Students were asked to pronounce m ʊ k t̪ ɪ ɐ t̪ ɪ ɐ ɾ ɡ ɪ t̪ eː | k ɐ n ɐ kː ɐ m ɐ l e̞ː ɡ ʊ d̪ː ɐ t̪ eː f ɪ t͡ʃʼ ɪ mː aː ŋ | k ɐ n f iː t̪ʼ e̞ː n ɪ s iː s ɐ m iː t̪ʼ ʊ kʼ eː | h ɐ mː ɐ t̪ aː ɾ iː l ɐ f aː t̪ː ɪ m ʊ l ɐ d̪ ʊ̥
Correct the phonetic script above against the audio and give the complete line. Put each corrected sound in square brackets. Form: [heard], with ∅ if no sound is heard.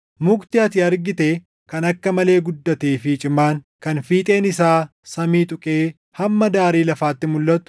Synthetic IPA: m ʊ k t̪ ɪ ɐ t̪ ɪ ɐ ɾ ɡ ɪ t̪ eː | k ɐ n ɐ kː ɐ m ɐ l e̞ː ɡ ʊ d̪ː ɐ t̪ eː f ɪ t͡ʃʼ ɪ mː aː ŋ | k ɐ n f iː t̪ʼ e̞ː n ɪ s [aː] s ɐ m iː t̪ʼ ʊ kʼ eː | h ɐ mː ɐ [d̪] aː ɾ iː l ɐ f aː t̪ː ɪ m ʊ [lː] ɐ [t̪] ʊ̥